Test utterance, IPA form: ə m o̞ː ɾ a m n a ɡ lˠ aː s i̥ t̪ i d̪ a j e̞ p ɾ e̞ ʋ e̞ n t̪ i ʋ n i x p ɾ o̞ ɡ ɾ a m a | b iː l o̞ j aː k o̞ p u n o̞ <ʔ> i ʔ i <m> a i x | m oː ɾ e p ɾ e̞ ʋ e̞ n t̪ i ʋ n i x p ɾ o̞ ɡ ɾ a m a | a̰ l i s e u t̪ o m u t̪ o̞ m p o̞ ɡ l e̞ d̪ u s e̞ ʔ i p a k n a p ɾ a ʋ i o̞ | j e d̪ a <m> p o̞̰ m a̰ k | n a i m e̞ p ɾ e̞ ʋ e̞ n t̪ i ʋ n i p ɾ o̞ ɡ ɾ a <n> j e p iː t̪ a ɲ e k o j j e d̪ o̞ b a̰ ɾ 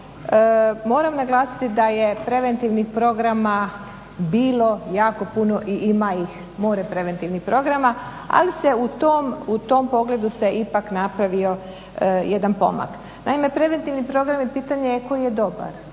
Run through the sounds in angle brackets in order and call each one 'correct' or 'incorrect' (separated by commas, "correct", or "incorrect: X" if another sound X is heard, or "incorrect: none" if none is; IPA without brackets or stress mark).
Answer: correct, correct, incorrect: n, incorrect: m